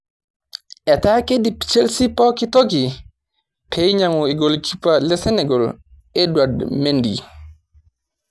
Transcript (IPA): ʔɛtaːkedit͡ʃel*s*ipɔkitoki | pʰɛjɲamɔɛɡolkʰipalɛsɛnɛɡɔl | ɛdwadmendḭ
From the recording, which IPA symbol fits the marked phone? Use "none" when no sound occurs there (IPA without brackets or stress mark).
s